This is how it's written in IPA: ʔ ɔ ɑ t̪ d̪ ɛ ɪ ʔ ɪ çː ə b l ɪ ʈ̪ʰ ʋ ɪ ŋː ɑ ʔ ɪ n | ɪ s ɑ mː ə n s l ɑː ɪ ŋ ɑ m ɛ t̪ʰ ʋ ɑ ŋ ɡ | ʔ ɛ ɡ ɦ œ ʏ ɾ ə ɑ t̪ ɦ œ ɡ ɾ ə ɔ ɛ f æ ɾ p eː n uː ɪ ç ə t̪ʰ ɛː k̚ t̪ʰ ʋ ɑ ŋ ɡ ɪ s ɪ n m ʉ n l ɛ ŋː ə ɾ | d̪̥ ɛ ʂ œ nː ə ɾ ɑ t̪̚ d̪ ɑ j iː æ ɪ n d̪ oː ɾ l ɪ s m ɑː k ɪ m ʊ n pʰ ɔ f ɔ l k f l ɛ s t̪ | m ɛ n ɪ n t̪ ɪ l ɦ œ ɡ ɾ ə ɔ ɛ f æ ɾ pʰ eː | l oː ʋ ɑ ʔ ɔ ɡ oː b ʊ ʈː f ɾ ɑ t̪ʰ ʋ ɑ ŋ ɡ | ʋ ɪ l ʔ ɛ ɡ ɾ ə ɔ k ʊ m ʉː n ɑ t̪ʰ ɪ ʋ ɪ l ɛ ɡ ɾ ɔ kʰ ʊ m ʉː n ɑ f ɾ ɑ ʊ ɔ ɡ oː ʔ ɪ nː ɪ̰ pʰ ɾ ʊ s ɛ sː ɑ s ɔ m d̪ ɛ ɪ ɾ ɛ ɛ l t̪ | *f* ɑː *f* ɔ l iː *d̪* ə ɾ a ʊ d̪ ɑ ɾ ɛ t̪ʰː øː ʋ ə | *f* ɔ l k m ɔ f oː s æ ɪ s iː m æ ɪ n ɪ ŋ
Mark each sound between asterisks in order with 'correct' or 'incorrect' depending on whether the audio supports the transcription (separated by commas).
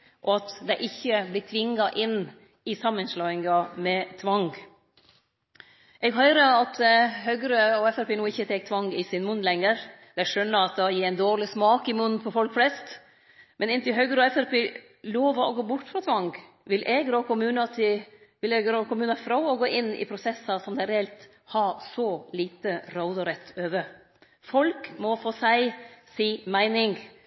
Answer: incorrect, incorrect, incorrect, correct